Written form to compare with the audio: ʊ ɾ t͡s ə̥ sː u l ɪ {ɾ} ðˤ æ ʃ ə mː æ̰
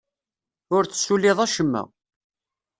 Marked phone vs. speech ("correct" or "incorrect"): incorrect